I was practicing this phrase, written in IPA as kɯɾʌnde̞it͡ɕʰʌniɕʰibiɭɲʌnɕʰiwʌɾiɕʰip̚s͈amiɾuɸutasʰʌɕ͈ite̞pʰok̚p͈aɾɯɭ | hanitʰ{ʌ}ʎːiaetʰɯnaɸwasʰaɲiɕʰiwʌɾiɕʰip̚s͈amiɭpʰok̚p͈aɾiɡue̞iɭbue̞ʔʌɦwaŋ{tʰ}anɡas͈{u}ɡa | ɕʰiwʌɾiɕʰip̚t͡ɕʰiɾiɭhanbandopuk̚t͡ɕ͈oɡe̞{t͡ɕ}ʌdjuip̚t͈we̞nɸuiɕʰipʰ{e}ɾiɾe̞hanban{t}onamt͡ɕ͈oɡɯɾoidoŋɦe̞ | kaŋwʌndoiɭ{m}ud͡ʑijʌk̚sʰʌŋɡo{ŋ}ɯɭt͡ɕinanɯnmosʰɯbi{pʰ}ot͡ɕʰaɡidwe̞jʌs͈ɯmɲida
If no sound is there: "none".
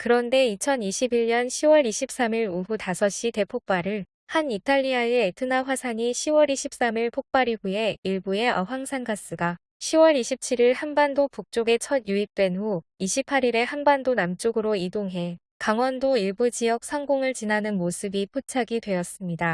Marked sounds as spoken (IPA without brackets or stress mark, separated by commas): a, sʰ, ɯ, t͡ɕʰ, a, d, b, ŋ, pʰ